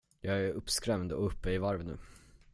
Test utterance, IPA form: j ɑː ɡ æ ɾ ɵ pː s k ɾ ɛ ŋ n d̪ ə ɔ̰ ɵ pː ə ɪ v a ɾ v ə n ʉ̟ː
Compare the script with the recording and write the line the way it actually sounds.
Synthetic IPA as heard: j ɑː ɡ æ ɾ ɵ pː s k ɾ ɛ m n d̪ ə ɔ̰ ɵ pː ə ɪ v a ɾ v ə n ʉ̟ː